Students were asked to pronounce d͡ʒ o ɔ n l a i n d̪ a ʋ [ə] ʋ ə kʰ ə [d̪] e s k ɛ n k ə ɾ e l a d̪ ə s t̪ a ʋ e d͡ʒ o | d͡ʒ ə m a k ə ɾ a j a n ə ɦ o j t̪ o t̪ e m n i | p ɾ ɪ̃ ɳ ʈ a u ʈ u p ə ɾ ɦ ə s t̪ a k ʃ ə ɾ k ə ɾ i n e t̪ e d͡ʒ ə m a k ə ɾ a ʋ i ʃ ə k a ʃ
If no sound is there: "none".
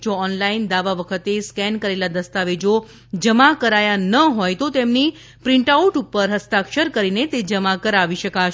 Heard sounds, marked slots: a, t̪

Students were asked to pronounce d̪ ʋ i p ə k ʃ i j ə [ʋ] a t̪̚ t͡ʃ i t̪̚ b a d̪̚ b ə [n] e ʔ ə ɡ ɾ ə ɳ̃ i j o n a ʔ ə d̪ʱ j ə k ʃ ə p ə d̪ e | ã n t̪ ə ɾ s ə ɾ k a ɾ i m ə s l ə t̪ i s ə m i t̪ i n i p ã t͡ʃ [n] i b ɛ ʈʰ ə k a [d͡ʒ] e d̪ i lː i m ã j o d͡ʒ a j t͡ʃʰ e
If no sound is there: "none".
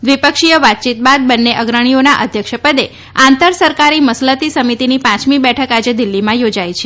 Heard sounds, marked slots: ʋ, nː, m, d͡ʒ

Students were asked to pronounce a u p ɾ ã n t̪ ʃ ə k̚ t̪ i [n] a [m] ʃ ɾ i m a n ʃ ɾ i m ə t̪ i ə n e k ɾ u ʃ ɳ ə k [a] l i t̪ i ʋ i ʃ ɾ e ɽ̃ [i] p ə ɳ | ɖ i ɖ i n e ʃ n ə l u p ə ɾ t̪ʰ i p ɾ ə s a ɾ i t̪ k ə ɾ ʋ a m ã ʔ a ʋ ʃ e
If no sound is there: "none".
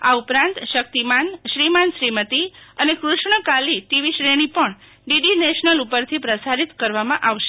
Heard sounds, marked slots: m, n, a, i

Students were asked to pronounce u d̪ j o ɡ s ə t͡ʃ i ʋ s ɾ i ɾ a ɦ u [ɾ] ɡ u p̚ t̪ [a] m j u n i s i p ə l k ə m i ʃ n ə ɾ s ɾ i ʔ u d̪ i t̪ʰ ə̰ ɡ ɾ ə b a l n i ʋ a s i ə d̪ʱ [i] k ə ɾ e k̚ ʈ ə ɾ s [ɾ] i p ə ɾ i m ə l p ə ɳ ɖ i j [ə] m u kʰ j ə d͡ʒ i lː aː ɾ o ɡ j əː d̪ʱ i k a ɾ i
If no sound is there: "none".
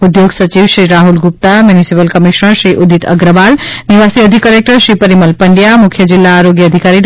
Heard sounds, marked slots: l, a, i, ɾ, a

